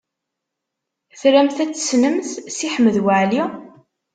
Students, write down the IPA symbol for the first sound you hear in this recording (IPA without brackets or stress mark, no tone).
θ